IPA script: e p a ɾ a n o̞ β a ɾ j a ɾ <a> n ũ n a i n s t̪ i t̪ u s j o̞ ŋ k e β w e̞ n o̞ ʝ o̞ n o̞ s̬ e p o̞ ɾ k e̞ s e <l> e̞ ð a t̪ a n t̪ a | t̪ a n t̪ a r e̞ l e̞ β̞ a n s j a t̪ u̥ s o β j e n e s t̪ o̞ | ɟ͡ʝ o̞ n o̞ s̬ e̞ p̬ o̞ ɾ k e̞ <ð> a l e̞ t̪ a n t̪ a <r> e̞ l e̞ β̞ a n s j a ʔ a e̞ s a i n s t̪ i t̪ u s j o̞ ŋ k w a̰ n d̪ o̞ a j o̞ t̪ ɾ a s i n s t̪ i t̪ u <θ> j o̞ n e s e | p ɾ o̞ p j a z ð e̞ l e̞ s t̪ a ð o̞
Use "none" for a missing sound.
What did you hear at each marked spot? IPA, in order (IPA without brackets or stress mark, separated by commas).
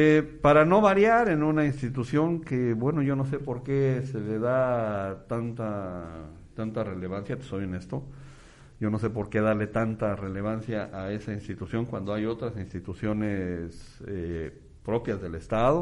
e, l, ð, r, s